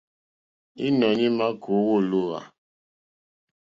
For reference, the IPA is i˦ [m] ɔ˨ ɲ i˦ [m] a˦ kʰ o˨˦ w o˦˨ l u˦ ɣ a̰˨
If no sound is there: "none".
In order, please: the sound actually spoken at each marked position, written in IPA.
n, m

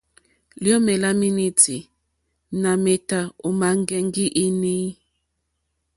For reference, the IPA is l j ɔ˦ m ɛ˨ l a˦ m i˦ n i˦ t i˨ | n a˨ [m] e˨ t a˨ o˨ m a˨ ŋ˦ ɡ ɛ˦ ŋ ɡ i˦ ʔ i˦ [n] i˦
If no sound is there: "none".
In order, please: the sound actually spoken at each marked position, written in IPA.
m, n

